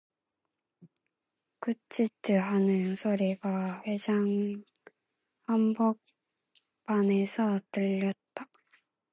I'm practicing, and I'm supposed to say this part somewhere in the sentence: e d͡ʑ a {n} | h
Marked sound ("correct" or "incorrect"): incorrect